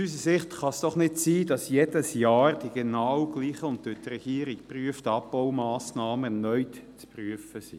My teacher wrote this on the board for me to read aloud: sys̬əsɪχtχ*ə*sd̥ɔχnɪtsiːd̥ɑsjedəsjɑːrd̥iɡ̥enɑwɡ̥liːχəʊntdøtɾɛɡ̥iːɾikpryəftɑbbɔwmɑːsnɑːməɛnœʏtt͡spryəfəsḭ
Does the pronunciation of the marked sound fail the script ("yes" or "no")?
yes